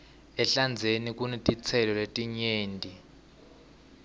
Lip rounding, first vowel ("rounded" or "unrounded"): unrounded